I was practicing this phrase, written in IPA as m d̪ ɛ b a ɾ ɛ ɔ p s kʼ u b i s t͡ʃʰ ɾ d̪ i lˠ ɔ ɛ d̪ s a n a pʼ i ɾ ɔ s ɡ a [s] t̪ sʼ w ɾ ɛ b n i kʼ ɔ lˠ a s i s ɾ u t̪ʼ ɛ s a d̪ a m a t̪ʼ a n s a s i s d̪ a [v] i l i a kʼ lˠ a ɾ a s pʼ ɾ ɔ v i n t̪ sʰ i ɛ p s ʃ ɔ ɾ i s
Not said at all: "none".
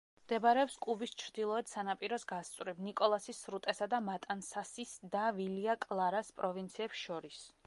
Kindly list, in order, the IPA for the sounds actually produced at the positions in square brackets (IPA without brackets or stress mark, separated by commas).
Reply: s, v